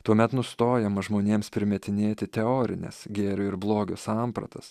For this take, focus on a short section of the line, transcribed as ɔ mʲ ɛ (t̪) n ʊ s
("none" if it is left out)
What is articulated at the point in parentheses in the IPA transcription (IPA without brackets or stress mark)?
t̪